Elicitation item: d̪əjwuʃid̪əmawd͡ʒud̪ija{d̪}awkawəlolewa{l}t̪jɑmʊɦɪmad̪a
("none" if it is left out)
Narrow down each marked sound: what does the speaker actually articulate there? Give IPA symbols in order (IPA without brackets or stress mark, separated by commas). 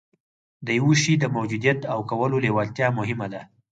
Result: t̪, l